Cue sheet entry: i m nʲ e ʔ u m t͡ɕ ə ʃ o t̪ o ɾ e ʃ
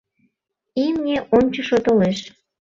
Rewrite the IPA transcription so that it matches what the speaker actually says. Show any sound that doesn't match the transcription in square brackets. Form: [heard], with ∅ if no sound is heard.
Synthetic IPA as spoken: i m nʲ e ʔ [o] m t͡ɕ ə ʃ o t̪ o [l] e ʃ